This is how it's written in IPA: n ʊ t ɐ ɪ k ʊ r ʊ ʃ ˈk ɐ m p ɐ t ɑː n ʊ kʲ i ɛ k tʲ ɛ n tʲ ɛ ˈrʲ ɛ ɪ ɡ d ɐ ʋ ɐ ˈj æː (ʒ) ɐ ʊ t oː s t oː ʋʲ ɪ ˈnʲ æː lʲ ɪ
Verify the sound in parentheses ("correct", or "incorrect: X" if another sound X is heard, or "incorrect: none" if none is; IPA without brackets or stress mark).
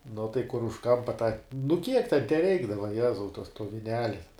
incorrect: z